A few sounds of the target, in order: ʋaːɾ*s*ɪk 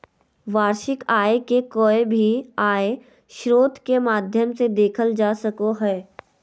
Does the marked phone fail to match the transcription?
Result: yes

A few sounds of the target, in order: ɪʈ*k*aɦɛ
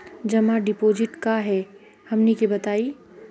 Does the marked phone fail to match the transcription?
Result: no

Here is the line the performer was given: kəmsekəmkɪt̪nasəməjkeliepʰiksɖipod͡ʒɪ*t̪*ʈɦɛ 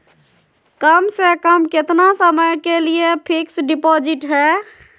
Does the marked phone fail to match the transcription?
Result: yes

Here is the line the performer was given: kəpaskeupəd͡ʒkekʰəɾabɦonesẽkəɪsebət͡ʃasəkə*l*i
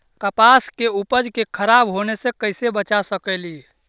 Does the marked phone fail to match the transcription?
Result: no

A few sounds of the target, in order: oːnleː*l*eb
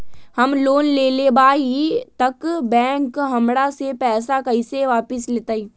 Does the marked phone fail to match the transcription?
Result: no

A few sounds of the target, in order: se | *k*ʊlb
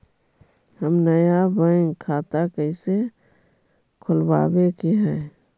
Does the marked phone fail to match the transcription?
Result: yes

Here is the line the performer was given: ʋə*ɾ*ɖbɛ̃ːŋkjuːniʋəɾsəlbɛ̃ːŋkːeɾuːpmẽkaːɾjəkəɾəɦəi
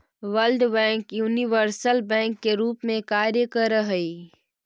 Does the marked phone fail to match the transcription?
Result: yes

